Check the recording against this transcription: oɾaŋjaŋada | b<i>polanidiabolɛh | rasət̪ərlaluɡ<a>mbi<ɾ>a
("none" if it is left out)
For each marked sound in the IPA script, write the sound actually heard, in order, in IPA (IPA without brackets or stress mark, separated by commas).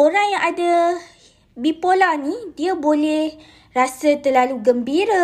i, ə, ɾ